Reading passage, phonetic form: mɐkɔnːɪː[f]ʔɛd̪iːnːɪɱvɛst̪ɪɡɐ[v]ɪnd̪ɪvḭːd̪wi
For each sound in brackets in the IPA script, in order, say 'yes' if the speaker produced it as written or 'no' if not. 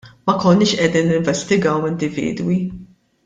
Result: no, no

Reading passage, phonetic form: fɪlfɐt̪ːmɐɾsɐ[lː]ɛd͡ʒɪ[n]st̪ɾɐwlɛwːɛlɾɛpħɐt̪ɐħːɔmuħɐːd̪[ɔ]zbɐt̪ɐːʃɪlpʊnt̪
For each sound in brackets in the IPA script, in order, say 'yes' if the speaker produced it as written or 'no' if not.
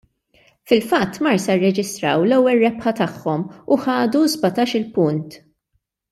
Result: no, no, no

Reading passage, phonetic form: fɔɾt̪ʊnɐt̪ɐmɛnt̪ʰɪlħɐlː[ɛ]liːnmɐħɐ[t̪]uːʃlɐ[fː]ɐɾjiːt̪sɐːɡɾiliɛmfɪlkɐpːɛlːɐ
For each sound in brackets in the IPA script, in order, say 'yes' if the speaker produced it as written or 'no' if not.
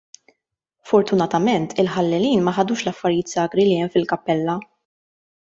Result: yes, no, yes

